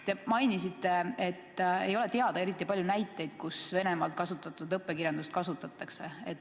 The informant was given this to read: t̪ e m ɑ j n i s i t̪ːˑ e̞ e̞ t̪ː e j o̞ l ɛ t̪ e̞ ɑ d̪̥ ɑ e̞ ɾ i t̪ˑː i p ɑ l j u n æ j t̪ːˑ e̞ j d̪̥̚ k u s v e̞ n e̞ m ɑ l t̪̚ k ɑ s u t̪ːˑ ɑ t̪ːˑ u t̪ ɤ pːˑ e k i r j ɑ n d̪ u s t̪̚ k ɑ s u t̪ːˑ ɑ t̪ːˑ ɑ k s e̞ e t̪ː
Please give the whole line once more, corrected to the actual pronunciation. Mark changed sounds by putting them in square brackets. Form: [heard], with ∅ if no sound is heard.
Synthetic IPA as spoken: t̪ e m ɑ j n i s i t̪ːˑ e̞ e̞ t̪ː e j o̞ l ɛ t̪ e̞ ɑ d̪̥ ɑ e̞ ɾ i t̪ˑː i p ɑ l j u n æ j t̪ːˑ e̞ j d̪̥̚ k u s v e̞ n e̞ m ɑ l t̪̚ k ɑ s u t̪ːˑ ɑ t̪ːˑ u [d̪] ɤ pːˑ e k i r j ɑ n d̪ u s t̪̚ k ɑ s u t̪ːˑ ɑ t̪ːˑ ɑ k s e̞ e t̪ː

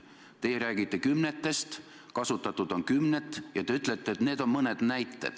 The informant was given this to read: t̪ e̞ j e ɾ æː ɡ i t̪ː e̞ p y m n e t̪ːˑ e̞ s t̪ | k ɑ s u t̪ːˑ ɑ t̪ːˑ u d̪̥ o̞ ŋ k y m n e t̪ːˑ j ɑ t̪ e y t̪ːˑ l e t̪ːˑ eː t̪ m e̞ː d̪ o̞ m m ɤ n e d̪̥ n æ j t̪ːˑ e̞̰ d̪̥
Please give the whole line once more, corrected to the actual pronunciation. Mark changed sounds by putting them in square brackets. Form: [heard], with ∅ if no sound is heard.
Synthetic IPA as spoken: t̪ e̞ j e ɾ æː ɡ i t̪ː e̞ [k] y m n e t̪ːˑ e̞ s t̪ | k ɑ s u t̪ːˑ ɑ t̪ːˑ u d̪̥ o̞ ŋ k y m n e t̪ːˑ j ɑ t̪ e y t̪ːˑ l e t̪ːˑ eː t̪ [n] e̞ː d̪ o̞ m m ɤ n e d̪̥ n æ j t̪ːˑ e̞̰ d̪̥

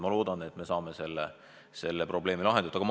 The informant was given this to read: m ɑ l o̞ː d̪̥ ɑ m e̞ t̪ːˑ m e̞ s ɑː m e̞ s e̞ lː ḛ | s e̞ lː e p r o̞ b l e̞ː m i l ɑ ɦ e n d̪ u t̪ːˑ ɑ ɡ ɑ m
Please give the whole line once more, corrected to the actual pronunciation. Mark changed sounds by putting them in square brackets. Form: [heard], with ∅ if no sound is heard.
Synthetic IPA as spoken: m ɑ l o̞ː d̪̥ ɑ [n] e̞ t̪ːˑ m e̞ s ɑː m e̞ s e̞ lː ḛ | s e̞ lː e p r o̞ b l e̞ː m i l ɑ ɦ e n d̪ u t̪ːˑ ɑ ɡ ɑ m

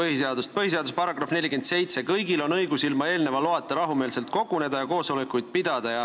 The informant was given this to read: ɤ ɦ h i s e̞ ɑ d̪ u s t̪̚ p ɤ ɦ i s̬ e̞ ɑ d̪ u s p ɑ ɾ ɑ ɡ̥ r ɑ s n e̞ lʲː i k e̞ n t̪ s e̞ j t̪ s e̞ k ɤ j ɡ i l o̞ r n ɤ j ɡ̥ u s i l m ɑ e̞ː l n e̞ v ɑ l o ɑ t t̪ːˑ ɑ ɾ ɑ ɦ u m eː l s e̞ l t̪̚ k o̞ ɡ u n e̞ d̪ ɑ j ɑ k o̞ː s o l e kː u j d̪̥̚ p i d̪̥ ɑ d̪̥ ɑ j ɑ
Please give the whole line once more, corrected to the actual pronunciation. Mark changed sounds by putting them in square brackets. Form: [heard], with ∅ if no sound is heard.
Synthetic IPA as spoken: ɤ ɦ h i s e̞ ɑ d̪ u s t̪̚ p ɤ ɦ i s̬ e̞ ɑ d̪ u s p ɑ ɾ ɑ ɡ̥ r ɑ [f] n e̞ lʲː i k e̞ n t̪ s e̞ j t̪ s e̞ k ɤ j ɡ i l o̞ [∅] n ɤ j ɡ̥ u s i l m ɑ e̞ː l n e̞ v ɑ l o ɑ t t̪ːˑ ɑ ɾ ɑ ɦ u m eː l s e̞ l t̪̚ k o̞ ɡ u n e̞ d̪ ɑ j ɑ k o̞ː s o l e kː u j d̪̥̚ p i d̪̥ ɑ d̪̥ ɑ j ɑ

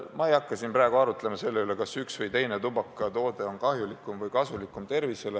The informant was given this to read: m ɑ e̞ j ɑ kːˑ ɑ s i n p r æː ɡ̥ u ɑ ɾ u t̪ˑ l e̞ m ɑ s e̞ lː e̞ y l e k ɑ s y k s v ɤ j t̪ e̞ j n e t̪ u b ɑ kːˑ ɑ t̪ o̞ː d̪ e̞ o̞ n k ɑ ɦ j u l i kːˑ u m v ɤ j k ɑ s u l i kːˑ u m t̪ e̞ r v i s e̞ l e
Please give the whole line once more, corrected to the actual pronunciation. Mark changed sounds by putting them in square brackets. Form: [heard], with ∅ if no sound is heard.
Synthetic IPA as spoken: m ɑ e̞ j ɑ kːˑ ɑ s i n p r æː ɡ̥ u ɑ ɾ u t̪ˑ l e̞ m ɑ s e̞ lː e̞ y l e k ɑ s y k s v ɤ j t̪ e̞ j n e t̪ u b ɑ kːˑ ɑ t̪ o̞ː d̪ e̞ o̞ n k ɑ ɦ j u l i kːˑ u m v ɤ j k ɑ s u l i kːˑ u m t̪ e̞ r v i s e̞ l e

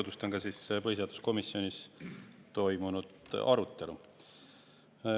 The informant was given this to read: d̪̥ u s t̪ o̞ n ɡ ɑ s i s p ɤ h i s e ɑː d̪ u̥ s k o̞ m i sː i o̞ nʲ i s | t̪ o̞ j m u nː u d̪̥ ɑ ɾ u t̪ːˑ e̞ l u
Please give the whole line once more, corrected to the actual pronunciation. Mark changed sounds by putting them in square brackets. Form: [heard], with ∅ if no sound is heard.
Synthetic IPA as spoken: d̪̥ u s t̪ o̞ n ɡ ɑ s i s p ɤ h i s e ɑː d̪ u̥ s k o̞ m i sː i o̞ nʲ i s | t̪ o̞ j m u [n] u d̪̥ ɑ ɾ u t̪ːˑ e̞ l u

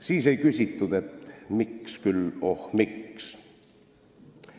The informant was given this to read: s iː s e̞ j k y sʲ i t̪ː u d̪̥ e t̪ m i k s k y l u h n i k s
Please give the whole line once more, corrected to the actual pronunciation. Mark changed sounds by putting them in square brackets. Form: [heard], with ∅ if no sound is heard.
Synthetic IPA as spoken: s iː s e̞ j k y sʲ i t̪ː u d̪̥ e t̪ m i k s k y l [o] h [m] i k s

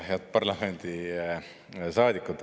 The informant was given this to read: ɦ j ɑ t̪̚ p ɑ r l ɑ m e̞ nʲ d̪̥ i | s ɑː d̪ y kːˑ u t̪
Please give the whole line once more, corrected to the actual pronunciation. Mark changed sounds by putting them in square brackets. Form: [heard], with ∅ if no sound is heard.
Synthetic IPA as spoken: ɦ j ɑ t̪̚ p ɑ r l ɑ m e̞ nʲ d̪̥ i | s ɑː d̪ [i] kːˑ u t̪

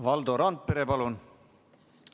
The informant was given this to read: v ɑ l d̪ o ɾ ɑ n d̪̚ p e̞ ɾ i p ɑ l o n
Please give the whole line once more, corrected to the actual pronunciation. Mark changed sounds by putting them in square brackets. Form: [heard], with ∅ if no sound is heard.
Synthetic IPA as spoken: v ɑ l d̪ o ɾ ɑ n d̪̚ p e̞ ɾ [e] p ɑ l [u] n

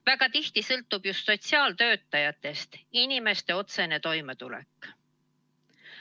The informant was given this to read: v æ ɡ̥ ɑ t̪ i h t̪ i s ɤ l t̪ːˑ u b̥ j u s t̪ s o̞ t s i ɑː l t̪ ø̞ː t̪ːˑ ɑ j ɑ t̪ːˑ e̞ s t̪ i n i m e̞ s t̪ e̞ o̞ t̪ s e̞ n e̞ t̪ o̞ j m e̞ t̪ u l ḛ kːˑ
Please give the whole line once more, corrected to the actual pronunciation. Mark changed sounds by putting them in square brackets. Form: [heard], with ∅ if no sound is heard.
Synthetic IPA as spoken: v æ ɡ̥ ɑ t̪ i h t̪ i s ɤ l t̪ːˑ u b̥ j u s t̪ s o̞ t s i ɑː l t̪ ø̞ː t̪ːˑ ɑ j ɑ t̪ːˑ e̞ s t̪ i n i m e̞ s t̪ e̞ o̞ t̪ s e̞ n e̞ t̪ o̞ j m e̞ t̪ u l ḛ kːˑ

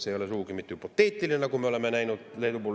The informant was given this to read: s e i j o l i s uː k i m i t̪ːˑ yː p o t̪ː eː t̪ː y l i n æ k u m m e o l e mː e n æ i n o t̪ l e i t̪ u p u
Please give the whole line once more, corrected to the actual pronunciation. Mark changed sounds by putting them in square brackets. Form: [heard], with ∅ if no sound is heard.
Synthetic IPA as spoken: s e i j o l [e] s uː k i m i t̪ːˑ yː p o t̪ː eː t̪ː [i] l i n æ k u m m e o l e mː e n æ i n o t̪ l e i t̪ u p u

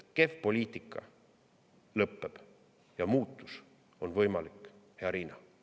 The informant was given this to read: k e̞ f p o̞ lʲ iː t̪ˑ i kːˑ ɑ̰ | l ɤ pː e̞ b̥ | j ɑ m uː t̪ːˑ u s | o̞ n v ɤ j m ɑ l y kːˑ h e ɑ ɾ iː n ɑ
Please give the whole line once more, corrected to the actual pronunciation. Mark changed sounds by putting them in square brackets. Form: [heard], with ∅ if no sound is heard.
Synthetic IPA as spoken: k e̞ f p o̞ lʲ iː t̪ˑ i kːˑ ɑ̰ | l ɤ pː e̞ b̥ | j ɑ m uː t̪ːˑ u s | o̞ n v ɤ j m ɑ l [i] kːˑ h e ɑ ɾ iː n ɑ

